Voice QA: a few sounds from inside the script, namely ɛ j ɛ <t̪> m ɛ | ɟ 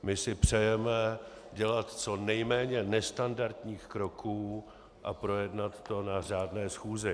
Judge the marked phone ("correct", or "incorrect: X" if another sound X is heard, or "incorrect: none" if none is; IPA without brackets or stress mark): incorrect: none